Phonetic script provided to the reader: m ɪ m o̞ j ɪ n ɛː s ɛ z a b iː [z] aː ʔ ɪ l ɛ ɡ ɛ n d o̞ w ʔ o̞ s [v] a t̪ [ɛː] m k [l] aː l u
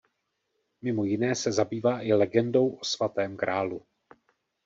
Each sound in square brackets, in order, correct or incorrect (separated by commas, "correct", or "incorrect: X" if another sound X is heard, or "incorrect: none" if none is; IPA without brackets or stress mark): incorrect: v, correct, correct, incorrect: ɾ